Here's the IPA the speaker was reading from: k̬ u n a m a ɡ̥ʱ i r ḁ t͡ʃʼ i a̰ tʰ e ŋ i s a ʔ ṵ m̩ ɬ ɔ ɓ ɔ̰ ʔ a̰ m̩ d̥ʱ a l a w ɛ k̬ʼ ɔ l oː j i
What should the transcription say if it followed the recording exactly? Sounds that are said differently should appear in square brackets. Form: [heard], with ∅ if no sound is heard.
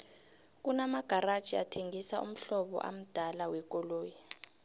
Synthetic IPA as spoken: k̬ u n a m a ɡ̥ʱ [a] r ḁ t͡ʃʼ i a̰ tʰ e ŋ i s a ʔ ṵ m̩ ɬ ɔ ɓ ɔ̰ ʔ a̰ m̩ d̥ʱ a l a w ɛ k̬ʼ ɔ l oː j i